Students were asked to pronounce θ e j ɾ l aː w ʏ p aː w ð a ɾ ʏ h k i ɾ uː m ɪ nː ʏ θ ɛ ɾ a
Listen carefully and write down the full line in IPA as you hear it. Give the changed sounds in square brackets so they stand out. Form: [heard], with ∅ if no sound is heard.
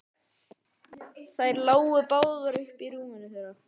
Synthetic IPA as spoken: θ [a] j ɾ l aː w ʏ p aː w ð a ɾ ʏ h [p] i ɾ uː m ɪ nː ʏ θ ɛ ɾ a